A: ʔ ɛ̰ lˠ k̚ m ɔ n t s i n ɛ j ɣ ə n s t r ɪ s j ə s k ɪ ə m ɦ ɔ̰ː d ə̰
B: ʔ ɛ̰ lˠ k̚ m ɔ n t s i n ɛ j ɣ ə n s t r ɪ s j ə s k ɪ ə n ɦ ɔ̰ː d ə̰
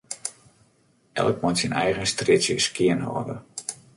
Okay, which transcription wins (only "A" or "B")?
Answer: B